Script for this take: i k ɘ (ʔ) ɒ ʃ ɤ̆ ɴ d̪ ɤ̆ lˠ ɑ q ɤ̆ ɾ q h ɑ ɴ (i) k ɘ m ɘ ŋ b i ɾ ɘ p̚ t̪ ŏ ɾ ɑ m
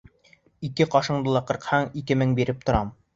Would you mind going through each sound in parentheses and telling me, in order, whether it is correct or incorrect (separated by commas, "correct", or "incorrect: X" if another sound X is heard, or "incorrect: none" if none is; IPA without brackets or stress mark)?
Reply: incorrect: q, correct